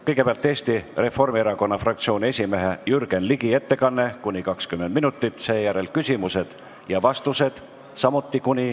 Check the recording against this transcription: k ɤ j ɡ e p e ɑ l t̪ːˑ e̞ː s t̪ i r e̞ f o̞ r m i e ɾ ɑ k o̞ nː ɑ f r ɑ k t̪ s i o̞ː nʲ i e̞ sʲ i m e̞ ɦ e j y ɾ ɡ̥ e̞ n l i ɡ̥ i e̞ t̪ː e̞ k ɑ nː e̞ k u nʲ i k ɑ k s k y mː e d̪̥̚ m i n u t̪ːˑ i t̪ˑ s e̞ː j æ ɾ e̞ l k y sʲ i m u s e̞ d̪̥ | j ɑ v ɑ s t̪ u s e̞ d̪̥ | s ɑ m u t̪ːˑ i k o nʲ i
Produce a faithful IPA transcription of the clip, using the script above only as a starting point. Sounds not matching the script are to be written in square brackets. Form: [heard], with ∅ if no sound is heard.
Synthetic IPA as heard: k ɤ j ɡ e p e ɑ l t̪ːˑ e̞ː s t̪ i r e̞ f o̞ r m i e ɾ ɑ k o̞ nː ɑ f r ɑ k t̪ s i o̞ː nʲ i e̞ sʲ i m e̞ ɦ e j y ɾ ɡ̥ e̞ n l i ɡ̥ i e̞ t̪ː e̞ k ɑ nː e̞ k u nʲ i k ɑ k s k y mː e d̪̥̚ m i n u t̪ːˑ i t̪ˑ s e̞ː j æ ɾ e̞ l k y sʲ i m u s e̞ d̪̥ | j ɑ v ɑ s t̪ u s e̞ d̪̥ | s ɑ m u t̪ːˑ i k [u] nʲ i